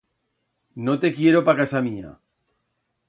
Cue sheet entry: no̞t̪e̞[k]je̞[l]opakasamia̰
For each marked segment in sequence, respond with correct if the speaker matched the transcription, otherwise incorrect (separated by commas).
correct, incorrect